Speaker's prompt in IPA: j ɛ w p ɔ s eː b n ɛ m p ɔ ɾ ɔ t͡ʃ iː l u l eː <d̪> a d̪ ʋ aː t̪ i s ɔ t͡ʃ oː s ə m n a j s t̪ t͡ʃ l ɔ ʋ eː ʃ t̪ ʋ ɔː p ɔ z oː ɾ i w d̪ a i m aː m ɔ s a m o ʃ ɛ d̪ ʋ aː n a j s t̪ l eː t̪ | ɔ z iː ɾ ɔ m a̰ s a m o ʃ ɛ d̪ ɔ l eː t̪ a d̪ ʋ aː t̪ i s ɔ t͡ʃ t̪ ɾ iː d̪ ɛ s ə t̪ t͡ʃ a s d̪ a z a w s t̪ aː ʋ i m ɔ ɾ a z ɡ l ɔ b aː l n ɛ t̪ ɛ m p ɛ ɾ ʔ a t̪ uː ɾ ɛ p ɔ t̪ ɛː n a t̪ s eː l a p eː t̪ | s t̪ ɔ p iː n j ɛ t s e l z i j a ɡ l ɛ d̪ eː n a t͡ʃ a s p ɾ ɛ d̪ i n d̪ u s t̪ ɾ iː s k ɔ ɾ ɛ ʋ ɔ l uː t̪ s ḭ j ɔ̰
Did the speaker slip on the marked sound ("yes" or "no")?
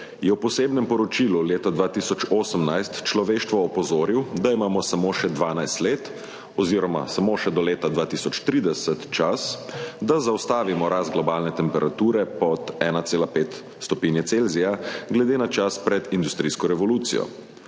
yes